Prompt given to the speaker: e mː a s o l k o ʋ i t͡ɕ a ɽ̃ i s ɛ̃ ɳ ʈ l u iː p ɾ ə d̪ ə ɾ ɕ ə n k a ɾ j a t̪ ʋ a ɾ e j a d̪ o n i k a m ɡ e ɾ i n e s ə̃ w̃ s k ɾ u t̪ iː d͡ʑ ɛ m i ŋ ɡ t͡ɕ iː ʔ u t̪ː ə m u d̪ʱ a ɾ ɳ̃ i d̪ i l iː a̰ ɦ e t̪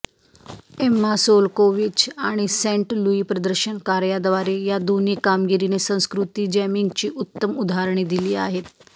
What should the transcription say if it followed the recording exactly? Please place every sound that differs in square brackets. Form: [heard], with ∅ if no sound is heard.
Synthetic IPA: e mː a s o l k o ʋ i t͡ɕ a ɽ̃ i s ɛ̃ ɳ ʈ l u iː p ɾ ə d̪ ə ɾ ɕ ə n k a ɾ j a [d̪] ʋ a ɾ e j a d̪ o n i k a m ɡ [i] ɾ i n e s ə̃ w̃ s k ɾ u t̪ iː d͡ʑ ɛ m i ŋ ɡ t͡ɕ iː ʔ u t̪ː ə m u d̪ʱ a ɾ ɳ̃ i d̪ i l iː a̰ ɦ e t̪